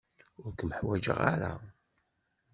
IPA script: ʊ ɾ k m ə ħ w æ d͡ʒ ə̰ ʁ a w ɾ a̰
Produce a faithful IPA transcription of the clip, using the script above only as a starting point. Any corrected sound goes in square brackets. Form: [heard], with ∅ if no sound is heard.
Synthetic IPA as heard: ʊ ɾ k m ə ħ w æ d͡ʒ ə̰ ʁ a [∅] ɾ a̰